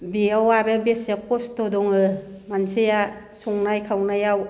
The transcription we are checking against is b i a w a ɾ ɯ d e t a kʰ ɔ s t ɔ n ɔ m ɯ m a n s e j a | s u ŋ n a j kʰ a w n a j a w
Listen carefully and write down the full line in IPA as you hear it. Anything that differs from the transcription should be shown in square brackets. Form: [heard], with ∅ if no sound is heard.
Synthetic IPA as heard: b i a w a ɾ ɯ [b] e [s] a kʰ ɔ s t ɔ [d] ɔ [ŋ] ɯ m a n s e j a | s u ŋ n a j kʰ a w n a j a w